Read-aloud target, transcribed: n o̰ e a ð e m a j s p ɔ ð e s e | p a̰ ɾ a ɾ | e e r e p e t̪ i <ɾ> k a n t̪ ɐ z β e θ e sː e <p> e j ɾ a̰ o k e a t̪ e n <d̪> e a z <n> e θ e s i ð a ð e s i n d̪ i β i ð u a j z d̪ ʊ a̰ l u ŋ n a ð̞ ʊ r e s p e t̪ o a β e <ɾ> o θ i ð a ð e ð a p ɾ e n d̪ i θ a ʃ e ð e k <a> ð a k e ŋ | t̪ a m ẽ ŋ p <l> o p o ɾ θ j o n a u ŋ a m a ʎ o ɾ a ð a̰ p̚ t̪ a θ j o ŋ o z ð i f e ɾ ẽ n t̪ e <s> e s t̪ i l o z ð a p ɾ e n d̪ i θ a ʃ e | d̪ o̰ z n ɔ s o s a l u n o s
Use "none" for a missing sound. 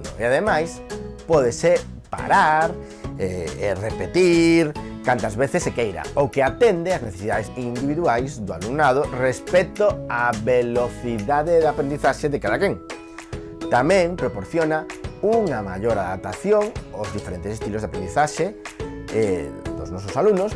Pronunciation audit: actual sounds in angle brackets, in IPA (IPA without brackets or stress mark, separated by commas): ɾ, k, d̪, n, l, a, ɾ, s